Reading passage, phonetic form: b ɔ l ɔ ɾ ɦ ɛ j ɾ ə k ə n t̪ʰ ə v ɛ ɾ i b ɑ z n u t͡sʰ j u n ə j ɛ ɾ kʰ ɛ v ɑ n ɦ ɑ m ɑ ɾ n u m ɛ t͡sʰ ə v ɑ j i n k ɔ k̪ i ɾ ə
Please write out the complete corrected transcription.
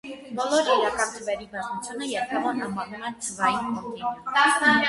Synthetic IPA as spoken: b ɔ l ɔ ɾ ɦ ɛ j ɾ ɑ k ɑ n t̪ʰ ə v ɛ ɾ i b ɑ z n u t͡sʰ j u n ə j ɛ ɾ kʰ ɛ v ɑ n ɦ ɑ m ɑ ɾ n u m ɛ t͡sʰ ə v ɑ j i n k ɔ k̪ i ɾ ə